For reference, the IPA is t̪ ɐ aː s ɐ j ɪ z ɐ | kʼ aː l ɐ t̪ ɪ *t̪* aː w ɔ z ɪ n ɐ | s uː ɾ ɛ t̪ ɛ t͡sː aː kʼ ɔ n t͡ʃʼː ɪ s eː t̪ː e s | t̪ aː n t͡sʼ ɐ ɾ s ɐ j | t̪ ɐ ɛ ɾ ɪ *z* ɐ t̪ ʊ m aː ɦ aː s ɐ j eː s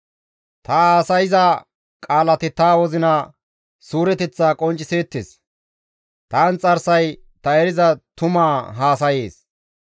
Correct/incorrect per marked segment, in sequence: correct, correct

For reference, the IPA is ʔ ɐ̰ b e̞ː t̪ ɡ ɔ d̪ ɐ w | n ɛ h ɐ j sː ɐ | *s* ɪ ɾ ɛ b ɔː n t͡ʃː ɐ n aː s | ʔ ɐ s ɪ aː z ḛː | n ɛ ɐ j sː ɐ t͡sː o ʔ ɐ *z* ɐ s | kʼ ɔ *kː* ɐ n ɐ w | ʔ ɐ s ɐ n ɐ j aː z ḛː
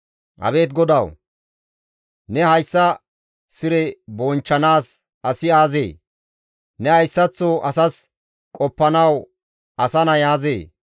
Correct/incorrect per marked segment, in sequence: correct, incorrect: s, incorrect: pː

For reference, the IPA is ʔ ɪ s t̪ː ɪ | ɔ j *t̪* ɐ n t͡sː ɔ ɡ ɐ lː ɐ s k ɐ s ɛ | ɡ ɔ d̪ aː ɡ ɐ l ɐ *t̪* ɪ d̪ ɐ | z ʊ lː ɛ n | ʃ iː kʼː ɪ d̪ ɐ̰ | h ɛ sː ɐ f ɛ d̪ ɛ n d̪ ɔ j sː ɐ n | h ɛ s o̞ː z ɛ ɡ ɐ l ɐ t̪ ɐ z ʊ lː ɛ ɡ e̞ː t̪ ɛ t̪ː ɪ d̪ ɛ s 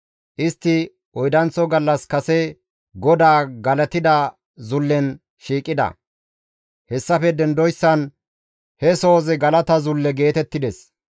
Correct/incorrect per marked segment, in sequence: incorrect: d̪, correct

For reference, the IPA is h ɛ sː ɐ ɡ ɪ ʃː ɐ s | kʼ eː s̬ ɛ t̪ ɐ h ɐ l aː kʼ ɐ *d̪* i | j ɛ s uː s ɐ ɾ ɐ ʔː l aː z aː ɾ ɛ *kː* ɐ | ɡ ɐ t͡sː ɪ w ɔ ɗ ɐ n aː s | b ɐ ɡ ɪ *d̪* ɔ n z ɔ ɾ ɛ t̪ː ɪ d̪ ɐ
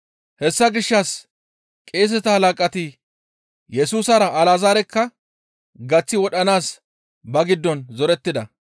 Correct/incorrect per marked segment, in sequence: incorrect: t̪, correct, incorrect: d̪ː

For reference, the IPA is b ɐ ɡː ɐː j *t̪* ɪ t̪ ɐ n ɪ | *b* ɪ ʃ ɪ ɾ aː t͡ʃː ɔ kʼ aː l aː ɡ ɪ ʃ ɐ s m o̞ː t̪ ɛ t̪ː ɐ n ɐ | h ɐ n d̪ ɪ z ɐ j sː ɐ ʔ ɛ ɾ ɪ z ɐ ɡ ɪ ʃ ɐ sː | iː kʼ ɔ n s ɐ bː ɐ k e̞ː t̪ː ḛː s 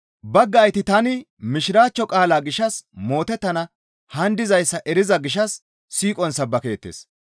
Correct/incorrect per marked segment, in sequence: correct, incorrect: m

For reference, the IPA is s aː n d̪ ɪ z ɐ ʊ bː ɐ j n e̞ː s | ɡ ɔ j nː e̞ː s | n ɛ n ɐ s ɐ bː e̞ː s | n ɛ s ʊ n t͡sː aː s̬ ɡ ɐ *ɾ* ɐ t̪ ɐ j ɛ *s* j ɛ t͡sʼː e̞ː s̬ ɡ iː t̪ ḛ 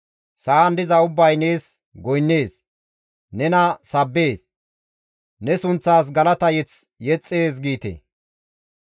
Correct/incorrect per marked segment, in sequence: incorrect: l, incorrect: t͡s

